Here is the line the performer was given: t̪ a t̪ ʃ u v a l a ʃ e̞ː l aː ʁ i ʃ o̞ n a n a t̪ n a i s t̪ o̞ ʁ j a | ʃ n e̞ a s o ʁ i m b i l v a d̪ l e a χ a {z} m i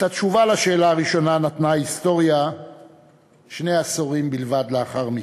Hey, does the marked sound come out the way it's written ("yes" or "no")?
no